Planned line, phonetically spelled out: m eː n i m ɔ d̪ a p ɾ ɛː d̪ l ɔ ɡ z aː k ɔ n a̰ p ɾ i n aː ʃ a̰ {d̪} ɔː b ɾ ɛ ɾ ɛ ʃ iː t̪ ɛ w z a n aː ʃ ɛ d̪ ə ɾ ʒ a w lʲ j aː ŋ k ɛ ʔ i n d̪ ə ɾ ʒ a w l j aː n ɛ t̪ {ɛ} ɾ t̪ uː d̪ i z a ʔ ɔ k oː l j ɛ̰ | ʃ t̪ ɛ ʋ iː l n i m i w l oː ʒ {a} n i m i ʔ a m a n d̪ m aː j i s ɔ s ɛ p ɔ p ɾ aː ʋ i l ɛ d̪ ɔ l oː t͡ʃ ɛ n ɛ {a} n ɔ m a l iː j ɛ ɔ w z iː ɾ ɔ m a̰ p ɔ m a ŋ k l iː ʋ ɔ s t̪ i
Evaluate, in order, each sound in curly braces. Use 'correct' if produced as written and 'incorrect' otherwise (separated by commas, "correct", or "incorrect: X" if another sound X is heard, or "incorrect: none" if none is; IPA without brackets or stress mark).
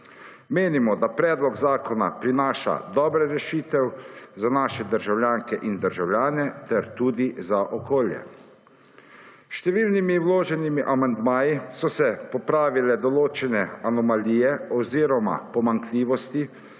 correct, correct, incorrect: ɛ, correct